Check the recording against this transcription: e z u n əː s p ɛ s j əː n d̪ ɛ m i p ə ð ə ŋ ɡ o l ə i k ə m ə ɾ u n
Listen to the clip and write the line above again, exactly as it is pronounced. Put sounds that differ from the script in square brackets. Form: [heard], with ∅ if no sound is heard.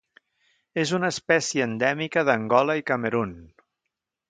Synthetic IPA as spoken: e z u n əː s p ɛ s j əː n d̪ ɛ m i [k] ə ð ə ŋ ɡ [ɔ] l ə i k ə m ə ɾ u n